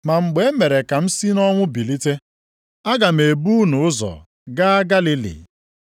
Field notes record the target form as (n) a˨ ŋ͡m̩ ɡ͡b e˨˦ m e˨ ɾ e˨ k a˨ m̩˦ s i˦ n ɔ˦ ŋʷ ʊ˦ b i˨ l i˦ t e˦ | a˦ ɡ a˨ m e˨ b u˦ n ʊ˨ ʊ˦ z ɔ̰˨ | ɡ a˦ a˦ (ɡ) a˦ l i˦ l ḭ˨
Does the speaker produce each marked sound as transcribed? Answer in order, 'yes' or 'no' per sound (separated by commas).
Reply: no, yes